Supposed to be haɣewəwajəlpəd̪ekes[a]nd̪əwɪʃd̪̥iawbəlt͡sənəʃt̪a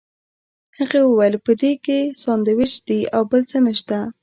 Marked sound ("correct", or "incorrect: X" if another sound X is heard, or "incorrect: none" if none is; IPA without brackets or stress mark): incorrect: ɑ